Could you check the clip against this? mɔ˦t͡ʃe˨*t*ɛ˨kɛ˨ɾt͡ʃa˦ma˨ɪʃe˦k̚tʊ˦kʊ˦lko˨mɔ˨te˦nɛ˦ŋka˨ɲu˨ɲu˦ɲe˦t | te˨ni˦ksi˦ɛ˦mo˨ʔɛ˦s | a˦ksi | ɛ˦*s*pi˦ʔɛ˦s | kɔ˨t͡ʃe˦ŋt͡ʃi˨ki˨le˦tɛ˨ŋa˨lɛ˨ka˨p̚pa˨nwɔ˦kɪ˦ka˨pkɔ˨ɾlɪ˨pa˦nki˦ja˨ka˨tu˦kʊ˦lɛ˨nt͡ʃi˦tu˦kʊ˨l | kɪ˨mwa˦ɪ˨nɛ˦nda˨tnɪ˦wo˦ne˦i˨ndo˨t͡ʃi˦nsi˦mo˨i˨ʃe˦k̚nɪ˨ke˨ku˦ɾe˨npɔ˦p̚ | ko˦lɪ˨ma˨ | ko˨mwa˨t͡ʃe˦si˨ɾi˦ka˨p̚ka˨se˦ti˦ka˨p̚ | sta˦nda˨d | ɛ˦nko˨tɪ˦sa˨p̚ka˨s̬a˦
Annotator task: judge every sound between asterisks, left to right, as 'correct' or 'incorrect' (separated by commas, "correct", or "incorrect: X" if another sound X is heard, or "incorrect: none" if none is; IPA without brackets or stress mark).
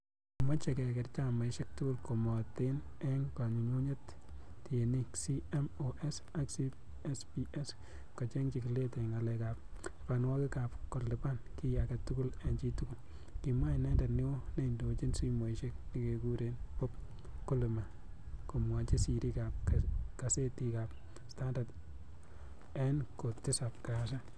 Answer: incorrect: k, correct